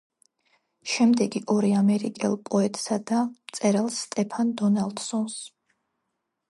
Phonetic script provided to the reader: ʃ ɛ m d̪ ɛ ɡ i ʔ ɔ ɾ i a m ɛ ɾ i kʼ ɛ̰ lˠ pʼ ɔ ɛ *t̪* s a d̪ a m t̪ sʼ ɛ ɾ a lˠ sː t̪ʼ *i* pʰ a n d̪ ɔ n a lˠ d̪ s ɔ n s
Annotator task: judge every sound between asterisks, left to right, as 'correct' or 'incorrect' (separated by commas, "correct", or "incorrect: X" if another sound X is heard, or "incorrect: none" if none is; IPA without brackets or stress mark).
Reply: incorrect: t̪ʼ, incorrect: ɛ